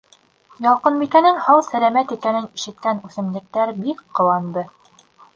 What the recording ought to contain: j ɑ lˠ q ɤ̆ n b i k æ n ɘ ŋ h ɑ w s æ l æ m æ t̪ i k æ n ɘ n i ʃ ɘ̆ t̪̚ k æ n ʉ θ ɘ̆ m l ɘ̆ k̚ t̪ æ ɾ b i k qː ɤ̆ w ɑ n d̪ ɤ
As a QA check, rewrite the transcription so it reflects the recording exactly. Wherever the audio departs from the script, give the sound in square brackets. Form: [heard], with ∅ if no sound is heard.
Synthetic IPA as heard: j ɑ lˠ q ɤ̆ n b i k æ n ɘ ŋ h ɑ w s æ l æ m æ t̪ i k æ n ɘ n i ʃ ɘ̆ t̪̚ k æ n ʉ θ ɘ̆ m l ɘ̆ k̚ t̪ æ ɾ b i k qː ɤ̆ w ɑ n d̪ ɤ

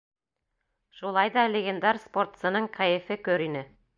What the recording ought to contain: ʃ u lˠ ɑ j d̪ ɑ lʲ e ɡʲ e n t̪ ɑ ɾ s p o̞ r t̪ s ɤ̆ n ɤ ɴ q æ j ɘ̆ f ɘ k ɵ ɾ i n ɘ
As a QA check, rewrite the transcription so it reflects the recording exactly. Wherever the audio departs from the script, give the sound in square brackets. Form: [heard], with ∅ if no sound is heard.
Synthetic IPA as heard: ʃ u lˠ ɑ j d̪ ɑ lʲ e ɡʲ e n [d̪] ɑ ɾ s p o̞ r t̪ s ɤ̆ n ɤ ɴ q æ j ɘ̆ f ɘ k ɵ ɾ i n ɘ

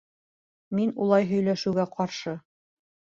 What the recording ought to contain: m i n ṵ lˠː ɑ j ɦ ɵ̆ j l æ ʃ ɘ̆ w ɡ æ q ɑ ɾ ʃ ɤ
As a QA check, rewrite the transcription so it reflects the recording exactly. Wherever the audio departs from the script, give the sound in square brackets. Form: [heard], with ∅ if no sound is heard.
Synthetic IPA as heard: m i n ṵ [lˠ] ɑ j ɦ ɵ̆ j l æ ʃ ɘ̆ w ɡ æ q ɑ ɾ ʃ ɤ

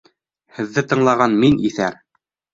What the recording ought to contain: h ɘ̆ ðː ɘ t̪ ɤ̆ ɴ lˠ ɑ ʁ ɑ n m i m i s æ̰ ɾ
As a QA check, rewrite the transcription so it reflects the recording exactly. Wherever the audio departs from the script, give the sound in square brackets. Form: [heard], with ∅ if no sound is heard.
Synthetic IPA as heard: h ɘ̆ ðː ɘ t̪ ɤ̆ ɴ lˠ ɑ ʁ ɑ n m i [n] i [θ] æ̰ ɾ

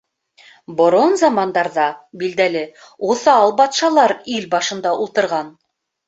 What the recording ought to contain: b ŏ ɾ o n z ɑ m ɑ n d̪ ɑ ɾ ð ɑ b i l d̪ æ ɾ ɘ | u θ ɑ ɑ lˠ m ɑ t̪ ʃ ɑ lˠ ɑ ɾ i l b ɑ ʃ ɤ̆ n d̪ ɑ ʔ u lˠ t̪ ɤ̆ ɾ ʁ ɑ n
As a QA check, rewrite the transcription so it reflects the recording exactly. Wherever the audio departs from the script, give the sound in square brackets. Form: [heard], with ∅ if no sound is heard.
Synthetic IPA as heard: b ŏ ɾ o n z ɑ m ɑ n d̪ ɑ ɾ ð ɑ b i l d̪ æ [l] ɘ | u θ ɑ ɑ lˠ [b] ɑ t̪ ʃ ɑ lˠ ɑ ɾ i l b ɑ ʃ ɤ̆ n d̪ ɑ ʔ u lˠ t̪ ɤ̆ ɾ ʁ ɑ n

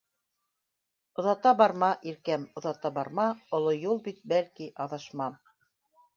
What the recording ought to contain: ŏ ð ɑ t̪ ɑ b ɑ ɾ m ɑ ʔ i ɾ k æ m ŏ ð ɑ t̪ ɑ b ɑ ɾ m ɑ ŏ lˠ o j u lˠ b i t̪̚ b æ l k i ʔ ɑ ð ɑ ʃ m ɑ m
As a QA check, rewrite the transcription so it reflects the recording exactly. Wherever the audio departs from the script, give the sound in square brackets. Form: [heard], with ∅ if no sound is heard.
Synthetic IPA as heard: ŏ ð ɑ t̪ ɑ b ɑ ɾ m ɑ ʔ i ɾ k æ m ŏ ð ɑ t̪ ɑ b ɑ ɾ m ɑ ŏ lˠ o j u lˠ b i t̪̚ b æ l k i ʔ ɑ ð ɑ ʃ m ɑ m

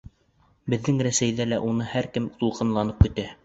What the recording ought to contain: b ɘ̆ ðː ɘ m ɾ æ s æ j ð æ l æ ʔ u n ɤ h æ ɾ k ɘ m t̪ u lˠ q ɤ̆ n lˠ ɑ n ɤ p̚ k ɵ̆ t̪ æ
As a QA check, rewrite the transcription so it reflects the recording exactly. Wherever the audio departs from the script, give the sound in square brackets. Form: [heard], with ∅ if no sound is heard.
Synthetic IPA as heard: b ɘ̆ ðː ɘ [ŋ] ɾ æ s æ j ð æ l æ ʔ u n ɤ h æ ɾ k ɘ m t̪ u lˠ q ɤ̆ n lˠ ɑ n ɤ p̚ k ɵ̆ t̪ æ

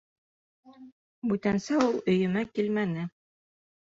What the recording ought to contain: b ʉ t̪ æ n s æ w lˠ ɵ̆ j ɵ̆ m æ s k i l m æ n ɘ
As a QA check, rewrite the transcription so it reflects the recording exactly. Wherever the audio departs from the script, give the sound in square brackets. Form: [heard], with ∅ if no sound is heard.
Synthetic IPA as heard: b ʉ t̪ æ n s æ [u] lˠ ɵ̆ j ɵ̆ m æ [∅] k i l m æ n ɘ

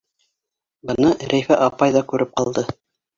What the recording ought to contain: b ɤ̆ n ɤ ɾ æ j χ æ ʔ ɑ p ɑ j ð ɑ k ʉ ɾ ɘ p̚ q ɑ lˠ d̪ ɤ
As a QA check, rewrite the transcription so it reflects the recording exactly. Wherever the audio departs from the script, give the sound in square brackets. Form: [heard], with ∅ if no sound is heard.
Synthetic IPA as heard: b ɤ̆ n ɤ ɾ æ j [f] æ ʔ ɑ p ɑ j ð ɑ k ʉ ɾ ɘ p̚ q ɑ lˠ d̪ ɤ

